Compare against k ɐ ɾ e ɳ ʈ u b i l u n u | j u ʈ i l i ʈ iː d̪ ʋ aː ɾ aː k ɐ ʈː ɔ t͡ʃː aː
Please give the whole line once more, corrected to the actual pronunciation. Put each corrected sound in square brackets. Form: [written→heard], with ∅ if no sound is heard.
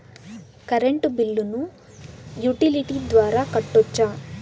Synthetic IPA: k ɐ ɾ e ɳ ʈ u b i [l→lː] u n u | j u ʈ i l i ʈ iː d̪ ʋ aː ɾ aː k ɐ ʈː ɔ t͡ʃː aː